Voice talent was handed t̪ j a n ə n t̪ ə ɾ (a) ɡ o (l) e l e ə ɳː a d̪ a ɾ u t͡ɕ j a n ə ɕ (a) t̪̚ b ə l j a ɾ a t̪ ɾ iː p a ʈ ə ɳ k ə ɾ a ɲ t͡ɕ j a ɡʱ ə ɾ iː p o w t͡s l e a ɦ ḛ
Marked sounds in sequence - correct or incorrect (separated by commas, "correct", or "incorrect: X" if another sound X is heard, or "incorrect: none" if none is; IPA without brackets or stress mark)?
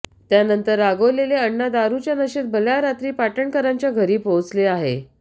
correct, correct, incorrect: e